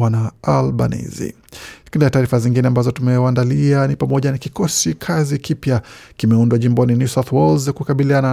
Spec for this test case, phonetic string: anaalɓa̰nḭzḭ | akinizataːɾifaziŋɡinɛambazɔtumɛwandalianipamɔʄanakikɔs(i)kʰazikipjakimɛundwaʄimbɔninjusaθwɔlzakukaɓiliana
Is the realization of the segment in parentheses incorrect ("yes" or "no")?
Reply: no